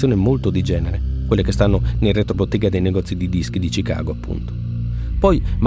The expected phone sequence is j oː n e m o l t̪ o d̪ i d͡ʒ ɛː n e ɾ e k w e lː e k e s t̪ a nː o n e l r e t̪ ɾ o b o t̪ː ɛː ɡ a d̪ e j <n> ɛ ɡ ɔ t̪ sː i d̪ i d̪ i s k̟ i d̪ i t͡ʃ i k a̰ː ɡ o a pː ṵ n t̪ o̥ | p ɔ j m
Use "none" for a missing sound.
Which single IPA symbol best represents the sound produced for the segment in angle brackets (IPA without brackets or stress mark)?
n